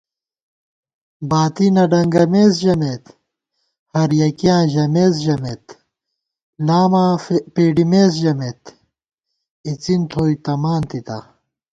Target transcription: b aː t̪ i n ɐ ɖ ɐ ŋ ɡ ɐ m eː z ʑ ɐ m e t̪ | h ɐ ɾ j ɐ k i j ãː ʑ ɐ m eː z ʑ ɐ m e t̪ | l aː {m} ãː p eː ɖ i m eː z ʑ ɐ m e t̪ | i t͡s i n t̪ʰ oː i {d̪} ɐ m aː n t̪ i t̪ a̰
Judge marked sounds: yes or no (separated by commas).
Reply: yes, no